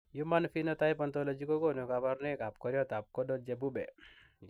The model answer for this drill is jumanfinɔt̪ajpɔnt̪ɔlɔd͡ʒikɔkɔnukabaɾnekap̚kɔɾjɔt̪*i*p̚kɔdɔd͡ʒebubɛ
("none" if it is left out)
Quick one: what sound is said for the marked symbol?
a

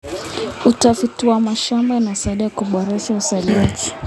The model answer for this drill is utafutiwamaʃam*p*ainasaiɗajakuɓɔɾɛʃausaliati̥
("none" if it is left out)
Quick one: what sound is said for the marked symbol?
b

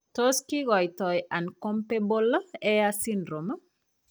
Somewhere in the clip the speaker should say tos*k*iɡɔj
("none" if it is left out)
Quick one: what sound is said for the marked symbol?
k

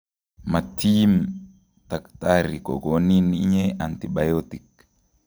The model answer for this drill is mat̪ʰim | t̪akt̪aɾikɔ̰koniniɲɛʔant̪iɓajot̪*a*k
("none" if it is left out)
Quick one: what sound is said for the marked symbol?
i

